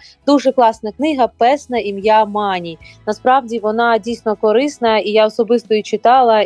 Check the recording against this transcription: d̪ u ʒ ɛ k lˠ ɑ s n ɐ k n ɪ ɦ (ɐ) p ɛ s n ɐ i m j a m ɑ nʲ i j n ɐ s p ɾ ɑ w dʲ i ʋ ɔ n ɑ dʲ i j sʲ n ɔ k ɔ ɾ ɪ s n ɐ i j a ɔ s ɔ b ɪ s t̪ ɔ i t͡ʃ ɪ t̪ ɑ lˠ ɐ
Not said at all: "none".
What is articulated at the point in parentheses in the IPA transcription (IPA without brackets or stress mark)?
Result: ɐ